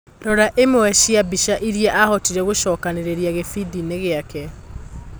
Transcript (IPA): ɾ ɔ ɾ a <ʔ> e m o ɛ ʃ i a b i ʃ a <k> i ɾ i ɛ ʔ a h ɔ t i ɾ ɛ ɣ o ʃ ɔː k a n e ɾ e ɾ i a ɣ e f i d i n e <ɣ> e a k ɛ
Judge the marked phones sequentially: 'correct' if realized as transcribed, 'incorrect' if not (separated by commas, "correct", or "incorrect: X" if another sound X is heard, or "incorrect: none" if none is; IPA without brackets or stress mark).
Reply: correct, incorrect: ʔ, correct